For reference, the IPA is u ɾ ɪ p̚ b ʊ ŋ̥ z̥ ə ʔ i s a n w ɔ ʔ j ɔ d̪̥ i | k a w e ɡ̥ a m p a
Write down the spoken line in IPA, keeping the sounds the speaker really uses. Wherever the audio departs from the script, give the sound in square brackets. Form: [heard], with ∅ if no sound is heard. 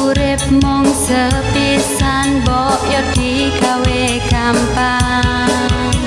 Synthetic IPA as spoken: u ɾ ɪ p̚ [m] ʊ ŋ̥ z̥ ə [p] i s a n [b] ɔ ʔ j ɔ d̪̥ i | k a w e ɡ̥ a m p a